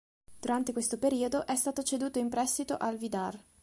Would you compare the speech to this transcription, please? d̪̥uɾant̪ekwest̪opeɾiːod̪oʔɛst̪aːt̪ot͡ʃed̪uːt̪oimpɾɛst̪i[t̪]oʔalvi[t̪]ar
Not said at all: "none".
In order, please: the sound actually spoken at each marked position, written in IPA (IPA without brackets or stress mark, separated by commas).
t̪, d̪